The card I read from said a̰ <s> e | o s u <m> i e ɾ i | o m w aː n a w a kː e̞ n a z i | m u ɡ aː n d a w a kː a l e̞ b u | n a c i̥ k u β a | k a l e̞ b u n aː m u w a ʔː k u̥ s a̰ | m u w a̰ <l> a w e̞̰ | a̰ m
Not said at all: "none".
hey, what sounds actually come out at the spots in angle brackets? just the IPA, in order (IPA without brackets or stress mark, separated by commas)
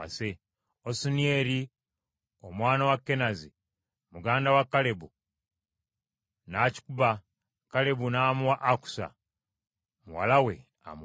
s, n, l